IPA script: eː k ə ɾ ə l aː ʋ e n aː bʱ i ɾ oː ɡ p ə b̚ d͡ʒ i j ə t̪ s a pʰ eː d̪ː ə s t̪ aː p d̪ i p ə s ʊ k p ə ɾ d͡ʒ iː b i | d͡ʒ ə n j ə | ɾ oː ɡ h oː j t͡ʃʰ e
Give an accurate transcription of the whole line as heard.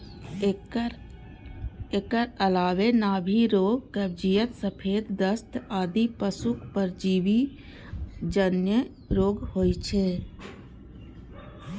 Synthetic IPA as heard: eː k ə ɾ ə l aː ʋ e n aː bʱ i ɾ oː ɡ k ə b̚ d͡ʒ i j ə t̪ s ə pʰ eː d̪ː ə s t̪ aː d̪ i p ə s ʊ k p ə ɾ d͡ʒ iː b i | d͡ʒ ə n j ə | ɾ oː ɡ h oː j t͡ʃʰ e

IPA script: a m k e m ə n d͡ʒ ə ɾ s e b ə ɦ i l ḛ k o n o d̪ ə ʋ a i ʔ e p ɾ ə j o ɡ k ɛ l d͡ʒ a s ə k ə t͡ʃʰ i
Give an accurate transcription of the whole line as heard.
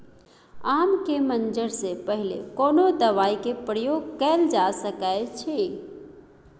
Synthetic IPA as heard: a m k e m ə n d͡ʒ ə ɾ s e p ə ɦ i l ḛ k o n o d̪ ə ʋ a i k e p ɾ ə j o ɡ k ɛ l d͡ʒ a s ə k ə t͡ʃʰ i

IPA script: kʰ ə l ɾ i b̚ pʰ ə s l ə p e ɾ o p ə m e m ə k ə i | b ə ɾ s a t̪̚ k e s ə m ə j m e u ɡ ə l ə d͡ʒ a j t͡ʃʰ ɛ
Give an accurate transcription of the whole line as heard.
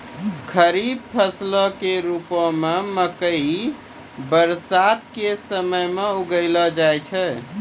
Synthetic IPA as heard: kʰ ə ɾ i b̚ pʰ ə s l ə k e ɾ u p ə m e m ə k ə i | b ə ɾ s a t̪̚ k e s ə m ə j m e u ɡ ə l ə d͡ʒ a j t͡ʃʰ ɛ

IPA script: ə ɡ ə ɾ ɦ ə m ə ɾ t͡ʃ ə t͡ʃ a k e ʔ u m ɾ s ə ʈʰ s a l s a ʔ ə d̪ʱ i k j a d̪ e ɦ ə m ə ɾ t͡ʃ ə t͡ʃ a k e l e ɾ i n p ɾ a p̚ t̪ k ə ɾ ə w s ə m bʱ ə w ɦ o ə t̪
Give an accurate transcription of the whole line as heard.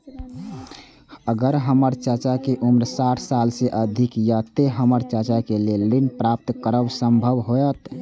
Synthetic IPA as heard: ə ɡ ə ɾ ɦ ə m ə ɾ t͡ʃ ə t͡ʃ a k e ʔ u m ɾ s a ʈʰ s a l s e ʔ ə d̪ʱ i k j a t̪ e ɦ ə m ə ɾ t͡ʃ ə t͡ʃ a k e l e l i n p ɾ a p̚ t̪ k ə ɾ ə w s ə m bʱ ə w ɦ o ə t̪

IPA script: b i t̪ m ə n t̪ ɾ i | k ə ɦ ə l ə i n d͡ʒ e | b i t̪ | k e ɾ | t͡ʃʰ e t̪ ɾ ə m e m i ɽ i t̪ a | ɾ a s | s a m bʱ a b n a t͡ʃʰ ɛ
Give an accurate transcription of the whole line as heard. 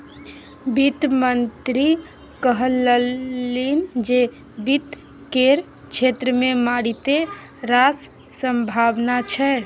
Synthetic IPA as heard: b i t̪ m ə n t̪ ɾ i | k ə ɦ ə l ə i n d͡ʒ e | b i t̪ | k e ɾ | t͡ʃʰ e t̪ ɾ ə m e m a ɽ i t̪ e | ɾ a s | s ə m bʱ a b n a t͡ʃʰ ɛ

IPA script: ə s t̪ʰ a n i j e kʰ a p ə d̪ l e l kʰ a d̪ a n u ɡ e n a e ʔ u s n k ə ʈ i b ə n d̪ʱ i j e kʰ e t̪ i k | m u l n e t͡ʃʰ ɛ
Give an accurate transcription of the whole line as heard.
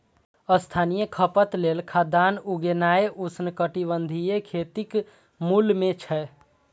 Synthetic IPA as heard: ə s t̪ʰ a n i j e kʰ ə p ə t̪ l e l kʰ a d̪ a n u ɡ e n a e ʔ u s n k ə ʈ i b ə n d̪ʱ i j e kʰ e t̪ i k | m u l m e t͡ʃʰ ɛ

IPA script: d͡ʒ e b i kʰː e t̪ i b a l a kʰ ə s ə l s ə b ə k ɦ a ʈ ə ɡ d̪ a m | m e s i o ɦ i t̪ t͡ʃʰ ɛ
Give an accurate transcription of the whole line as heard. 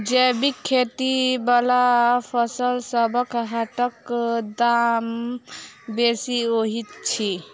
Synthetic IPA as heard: d͡ʒ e b i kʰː e t̪ i b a l a pʰ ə s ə l s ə b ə k ɦ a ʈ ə k d̪ a m | b e s i o ɦ i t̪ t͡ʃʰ i

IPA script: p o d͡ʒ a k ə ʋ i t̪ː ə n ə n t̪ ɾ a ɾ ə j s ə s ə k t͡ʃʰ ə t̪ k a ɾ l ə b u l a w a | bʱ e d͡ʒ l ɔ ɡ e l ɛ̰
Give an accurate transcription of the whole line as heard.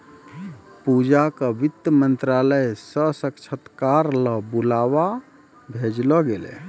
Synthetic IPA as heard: p u d͡ʒ a k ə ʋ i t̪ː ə m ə n t̪ ɾ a l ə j s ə s ə k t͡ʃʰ ə t̪ k a ɾ l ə b u l a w a | bʱ e d͡ʒ l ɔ ɡ e l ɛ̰

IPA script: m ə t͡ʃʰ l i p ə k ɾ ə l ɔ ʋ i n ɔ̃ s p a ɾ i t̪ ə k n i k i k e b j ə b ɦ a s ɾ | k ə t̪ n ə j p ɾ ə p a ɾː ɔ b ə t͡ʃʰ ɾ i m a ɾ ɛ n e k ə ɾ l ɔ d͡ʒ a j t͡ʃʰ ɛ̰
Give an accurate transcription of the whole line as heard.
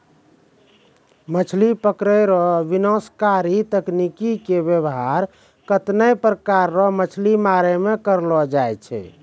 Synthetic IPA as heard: m ə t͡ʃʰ l i p ə k ɾ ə ɾ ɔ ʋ i n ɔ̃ s k a ɾ i t̪ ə k n i k i k e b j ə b ɦ a ɾ | k ə t̪ n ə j p ɾ ə k a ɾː ɔ m ə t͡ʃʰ l i m a ɾ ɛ m e k ə ɾ l ɔ d͡ʒ a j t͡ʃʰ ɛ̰

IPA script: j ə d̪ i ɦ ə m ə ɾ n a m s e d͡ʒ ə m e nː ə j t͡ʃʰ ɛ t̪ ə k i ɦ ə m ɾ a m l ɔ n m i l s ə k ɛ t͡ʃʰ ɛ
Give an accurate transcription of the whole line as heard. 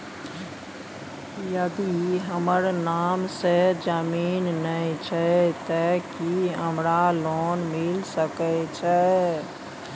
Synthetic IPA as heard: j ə d̪ i ɦ ə m ə ɾ n a m s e d͡ʒ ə m i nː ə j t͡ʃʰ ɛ t̪ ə k i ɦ ə m ɾ a l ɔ n m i l s ə k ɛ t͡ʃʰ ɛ

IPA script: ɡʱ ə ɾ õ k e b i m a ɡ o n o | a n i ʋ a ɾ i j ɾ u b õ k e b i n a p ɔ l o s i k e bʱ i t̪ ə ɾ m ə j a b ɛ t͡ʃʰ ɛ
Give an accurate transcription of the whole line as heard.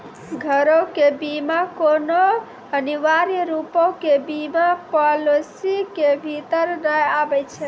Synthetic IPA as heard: ɡʱ ə ɾ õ k e b i m a k o n o | ə n i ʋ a ɾ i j ɾ u p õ k e b i m a p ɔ l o s i k e bʱ i t̪ ə ɾ n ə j a b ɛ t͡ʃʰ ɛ

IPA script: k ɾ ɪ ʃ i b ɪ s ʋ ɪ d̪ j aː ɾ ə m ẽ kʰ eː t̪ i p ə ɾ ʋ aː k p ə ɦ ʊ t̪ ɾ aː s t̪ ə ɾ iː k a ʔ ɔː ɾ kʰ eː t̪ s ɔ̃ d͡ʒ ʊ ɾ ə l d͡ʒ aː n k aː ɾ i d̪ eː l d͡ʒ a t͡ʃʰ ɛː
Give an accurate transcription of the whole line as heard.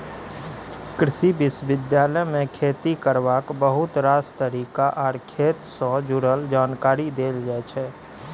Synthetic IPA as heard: k ɾ ɪ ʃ i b ɪ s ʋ ɪ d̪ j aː l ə m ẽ kʰ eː t̪ i k ə ɾ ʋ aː k b ə ɦ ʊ t̪ ɾ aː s t̪ ə ɾ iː k a ʔ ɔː ɾ kʰ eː t̪ s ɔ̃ d͡ʒ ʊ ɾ ə l d͡ʒ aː n k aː ɾ i d̪ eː l d͡ʒ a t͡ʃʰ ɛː

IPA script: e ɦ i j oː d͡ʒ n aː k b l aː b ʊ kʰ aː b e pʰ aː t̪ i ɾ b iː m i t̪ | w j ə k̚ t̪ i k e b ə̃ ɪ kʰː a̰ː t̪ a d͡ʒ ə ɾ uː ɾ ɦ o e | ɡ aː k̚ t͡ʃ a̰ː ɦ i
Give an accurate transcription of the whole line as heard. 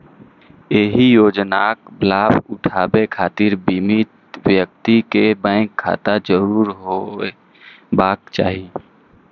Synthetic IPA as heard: e ɦ i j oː d͡ʒ n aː k b l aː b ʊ ʈʰ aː b e kʰ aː t̪ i ɾ b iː m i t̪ | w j ə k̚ t̪ i k e b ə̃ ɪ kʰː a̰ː t̪ a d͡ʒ ə ɾ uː ɾ ɦ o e | b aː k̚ t͡ʃ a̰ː ɦ i

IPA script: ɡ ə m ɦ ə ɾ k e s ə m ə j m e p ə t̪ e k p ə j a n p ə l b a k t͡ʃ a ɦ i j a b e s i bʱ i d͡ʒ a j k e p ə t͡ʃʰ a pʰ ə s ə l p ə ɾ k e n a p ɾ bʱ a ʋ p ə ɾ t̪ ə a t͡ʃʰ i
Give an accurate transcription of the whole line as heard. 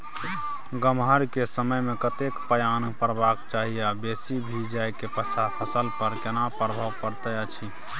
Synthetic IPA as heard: ɡ ə m ɦ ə ɾ k e s ə m ə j m e k ə t̪ e k p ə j a n p ə ɾ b a k t͡ʃ a ɦ i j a b e s i bʱ i d͡ʒ a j k e p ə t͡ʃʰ a pʰ ə s ə l p ə ɾ k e n a p ɾ bʱ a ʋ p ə ɾ t̪ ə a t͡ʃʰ i

